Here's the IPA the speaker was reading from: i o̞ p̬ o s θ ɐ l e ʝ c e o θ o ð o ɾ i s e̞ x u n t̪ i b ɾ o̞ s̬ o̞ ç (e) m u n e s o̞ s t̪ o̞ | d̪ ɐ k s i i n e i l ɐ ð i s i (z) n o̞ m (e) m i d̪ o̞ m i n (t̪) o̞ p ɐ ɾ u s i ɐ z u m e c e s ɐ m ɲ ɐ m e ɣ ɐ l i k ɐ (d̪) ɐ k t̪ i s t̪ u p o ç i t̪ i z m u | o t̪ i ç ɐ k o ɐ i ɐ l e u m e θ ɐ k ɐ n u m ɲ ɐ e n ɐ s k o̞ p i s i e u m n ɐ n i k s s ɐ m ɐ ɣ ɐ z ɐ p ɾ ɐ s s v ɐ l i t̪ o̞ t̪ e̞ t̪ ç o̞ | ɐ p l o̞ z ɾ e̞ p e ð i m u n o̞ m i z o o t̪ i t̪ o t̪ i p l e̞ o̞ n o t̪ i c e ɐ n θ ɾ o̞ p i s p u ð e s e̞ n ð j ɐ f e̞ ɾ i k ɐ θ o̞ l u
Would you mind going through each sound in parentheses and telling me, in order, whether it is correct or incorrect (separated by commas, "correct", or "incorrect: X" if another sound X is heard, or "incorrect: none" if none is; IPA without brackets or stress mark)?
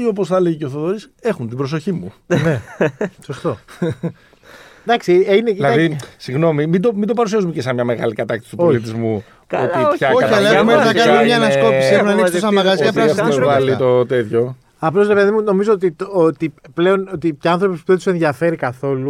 incorrect: i, incorrect: ɣ, incorrect: i, incorrect: d̪, incorrect: t̪